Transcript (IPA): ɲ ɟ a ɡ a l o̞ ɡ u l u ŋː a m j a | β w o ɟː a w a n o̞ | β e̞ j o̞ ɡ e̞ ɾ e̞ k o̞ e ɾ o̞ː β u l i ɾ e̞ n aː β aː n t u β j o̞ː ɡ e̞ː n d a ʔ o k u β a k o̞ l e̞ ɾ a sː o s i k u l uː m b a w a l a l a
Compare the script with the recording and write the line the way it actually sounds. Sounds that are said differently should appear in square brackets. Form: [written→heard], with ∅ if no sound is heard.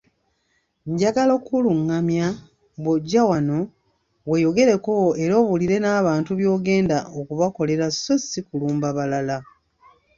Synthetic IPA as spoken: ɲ ɟ a ɡ a l o̞ [ɡ→k] u l u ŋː a m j a | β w o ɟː a w a n o̞ | [β→w] e̞ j o̞ ɡ e̞ ɾ e̞ k o̞ e ɾ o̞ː β u l i ɾ e̞ n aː β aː n t u β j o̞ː ɡ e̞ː n d a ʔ o k u β a k o̞ l e̞ ɾ a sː o s i k u l uː m b a [w→β] a l a l a